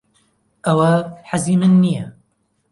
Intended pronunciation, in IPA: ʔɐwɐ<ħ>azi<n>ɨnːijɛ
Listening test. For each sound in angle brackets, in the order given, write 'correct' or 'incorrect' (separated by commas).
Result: correct, incorrect